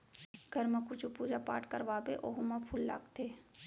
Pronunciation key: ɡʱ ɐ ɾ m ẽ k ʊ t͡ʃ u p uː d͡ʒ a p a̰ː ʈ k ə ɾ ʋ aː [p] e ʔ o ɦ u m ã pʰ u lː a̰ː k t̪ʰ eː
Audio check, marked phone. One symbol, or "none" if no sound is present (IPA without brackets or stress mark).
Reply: b